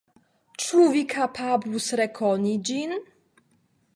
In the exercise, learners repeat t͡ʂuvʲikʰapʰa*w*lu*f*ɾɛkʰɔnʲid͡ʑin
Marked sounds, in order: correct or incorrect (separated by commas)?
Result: incorrect, incorrect